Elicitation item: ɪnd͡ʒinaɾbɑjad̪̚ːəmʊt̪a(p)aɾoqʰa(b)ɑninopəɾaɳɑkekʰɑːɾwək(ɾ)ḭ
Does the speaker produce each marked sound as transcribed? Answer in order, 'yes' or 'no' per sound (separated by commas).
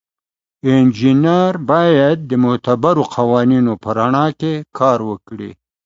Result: no, no, no